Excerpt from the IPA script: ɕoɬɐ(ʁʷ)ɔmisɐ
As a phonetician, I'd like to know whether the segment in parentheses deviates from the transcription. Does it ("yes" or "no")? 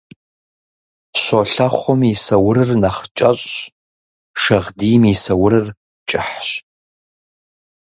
yes